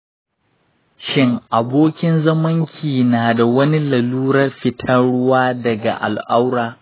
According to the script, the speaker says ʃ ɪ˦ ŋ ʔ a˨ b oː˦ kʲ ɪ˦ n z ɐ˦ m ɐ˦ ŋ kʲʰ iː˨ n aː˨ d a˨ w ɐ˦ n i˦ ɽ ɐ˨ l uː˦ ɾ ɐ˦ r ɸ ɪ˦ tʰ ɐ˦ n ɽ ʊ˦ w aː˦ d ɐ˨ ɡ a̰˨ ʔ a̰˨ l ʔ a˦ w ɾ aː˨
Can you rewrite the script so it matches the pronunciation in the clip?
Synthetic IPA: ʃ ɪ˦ ŋ ʔ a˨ b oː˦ kʲ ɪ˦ n z ɐ˦ m ɐ˦ ŋ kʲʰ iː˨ n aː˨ d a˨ w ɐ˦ n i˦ l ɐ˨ l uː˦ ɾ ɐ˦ r ɸ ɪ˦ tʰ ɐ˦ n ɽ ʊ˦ w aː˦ d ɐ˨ ɡ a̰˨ ʔ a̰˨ l ʔ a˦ w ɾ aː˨